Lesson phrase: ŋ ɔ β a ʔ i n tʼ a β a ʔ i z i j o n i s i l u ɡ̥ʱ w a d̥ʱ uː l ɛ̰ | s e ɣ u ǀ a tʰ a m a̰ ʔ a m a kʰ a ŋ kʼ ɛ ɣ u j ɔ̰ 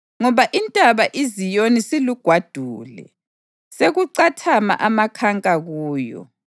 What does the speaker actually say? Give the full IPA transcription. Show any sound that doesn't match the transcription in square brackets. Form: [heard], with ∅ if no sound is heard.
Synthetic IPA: ŋ ɔ β a ʔ i n tʼ a β a ʔ i z i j o n i s i l u ɡ̥ʱ w a d̥ʱ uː l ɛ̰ | s e ɣ u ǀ a tʰ a m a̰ ʔ a m a kʰ a ŋ kʼ [a] ɣ [uː] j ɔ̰